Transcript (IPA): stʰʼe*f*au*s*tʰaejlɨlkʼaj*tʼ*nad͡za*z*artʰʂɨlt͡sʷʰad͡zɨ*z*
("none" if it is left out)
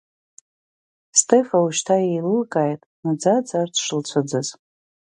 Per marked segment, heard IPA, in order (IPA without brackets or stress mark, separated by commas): f, ʃ, tʼ, d͡z, z